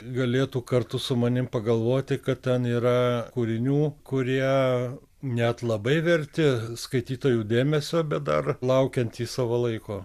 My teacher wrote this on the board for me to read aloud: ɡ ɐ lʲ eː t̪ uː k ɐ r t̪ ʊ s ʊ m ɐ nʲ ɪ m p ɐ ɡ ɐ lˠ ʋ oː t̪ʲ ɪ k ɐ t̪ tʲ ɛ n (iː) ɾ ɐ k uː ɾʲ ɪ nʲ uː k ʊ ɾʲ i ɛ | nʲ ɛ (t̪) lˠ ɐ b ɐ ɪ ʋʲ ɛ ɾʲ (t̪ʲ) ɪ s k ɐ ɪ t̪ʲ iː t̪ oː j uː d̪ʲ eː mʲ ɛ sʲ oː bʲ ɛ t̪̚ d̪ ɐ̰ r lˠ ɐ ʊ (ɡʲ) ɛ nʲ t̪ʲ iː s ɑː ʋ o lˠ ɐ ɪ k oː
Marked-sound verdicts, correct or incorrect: correct, correct, correct, incorrect: kʲ

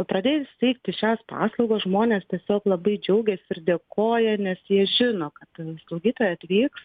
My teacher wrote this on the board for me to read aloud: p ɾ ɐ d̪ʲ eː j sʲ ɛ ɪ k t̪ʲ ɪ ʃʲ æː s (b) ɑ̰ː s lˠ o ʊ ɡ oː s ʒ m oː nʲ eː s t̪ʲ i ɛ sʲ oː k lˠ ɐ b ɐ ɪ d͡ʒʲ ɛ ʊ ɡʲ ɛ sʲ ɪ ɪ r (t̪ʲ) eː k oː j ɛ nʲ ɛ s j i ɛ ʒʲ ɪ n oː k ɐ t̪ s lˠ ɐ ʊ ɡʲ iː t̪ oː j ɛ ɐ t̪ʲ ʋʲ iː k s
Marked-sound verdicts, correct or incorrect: incorrect: p, incorrect: d̪ʲ

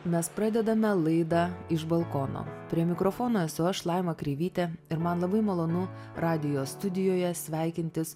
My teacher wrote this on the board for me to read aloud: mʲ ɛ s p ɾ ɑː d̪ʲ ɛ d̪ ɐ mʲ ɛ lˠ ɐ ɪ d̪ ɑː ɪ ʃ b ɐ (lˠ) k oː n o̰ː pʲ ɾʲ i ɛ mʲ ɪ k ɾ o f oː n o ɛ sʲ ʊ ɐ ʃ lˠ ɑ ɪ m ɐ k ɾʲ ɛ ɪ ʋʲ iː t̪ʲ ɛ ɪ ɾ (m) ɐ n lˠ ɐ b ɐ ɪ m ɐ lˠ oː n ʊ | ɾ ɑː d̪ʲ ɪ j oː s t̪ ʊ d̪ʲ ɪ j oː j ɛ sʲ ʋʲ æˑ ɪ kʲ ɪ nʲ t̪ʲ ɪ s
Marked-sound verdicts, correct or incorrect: correct, correct

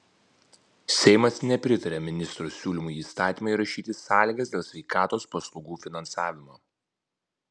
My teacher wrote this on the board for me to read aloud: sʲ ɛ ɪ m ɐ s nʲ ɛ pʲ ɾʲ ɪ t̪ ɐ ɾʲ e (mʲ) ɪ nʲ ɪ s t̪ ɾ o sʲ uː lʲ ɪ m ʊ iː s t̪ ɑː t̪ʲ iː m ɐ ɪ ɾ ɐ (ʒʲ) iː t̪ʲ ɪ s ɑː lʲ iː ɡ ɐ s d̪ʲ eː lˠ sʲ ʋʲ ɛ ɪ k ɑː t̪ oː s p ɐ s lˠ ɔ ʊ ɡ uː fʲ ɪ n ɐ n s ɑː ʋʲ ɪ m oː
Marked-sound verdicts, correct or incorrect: correct, incorrect: ʃʲ

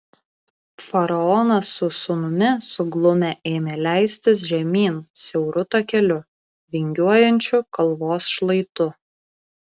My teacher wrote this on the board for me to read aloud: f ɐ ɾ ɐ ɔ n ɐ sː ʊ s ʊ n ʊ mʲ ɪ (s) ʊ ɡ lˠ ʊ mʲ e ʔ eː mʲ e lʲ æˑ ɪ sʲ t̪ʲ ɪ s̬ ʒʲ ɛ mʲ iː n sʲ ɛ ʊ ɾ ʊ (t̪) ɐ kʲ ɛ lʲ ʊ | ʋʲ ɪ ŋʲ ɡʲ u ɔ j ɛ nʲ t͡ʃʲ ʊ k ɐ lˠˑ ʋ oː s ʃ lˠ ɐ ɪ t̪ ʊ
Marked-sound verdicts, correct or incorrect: correct, correct

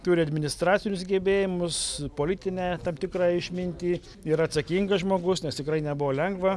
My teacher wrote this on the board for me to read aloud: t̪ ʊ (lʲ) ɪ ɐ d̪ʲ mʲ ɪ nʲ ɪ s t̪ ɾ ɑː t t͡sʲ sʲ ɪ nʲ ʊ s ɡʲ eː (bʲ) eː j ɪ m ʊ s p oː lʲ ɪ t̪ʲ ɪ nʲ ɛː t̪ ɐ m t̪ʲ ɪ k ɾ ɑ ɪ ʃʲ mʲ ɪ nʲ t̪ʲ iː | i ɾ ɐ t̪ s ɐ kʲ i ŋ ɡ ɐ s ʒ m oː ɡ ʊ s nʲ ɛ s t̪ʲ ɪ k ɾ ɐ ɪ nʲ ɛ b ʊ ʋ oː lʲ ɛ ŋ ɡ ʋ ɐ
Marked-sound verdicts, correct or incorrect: incorrect: ɾʲ, correct

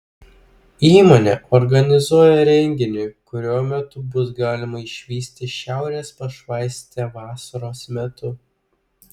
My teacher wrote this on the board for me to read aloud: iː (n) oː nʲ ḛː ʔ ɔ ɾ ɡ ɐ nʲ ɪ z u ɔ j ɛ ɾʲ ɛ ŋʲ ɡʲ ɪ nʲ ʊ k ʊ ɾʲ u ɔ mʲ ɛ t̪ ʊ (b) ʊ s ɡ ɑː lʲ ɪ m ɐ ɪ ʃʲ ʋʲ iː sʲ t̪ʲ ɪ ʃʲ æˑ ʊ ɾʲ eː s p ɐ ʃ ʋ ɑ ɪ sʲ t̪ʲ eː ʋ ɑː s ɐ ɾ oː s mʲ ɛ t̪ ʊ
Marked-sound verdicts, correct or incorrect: incorrect: m, correct

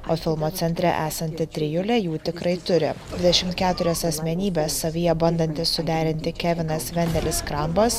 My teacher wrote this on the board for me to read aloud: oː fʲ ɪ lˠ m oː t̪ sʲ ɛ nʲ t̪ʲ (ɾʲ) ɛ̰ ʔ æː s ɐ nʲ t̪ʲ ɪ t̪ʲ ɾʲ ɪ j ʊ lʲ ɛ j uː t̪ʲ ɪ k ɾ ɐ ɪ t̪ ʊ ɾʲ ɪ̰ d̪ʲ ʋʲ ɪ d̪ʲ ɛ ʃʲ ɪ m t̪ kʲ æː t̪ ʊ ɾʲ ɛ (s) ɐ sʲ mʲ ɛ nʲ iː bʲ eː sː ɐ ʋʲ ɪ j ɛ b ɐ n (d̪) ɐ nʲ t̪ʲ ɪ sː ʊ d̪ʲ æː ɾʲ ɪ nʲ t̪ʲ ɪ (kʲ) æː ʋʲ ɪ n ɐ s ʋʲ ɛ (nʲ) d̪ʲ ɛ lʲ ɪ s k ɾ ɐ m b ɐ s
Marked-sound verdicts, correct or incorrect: correct, correct, correct, correct, correct

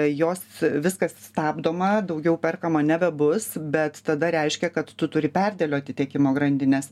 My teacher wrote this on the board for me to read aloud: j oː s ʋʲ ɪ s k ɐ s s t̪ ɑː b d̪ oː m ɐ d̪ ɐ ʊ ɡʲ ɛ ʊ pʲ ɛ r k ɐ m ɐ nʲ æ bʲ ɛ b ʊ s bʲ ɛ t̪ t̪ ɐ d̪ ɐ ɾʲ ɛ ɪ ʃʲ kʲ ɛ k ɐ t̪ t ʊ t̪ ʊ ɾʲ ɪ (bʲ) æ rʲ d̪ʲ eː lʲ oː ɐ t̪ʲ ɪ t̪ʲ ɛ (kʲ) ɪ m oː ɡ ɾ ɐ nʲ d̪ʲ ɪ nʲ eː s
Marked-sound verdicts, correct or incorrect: incorrect: pʲ, correct

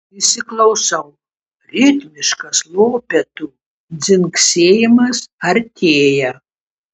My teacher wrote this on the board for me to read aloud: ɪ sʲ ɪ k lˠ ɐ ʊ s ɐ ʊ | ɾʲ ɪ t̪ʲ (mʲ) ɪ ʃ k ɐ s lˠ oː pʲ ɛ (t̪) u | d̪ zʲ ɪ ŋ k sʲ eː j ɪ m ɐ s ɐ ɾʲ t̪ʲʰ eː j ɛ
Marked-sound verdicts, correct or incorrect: correct, correct

